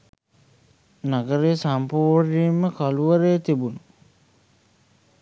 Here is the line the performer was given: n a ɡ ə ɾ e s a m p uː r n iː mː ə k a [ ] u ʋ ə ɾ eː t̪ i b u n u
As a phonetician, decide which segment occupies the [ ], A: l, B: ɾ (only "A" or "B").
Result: A